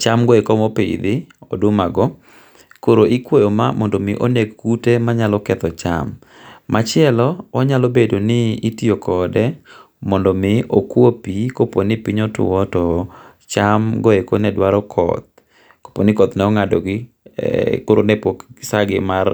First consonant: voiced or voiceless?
voiceless